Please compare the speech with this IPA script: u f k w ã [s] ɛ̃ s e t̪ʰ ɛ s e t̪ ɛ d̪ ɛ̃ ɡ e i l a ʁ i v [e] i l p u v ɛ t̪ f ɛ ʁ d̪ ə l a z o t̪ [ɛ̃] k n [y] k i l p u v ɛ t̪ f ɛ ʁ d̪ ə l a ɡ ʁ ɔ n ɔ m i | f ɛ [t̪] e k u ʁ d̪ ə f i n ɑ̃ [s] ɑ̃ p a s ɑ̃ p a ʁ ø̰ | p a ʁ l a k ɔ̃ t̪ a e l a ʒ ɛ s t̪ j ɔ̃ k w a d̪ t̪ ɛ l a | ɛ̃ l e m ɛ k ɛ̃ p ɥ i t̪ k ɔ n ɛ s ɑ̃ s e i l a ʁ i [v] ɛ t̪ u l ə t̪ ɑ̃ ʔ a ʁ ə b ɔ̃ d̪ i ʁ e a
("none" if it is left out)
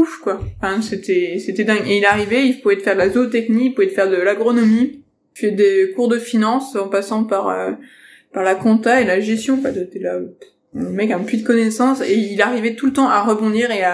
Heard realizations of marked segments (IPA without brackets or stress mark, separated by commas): f, ɛ, ɛ, i, d̪, s, v